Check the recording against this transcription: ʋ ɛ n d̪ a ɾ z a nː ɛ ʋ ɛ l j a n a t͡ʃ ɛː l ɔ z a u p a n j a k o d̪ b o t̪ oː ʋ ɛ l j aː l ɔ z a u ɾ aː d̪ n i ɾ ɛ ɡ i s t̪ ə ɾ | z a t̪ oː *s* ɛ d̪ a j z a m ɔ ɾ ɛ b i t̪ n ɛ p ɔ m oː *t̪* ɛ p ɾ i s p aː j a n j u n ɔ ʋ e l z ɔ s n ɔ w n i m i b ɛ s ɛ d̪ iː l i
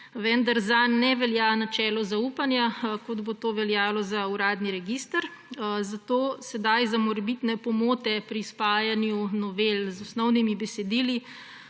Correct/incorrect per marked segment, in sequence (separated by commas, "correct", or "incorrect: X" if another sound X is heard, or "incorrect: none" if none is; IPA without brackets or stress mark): correct, correct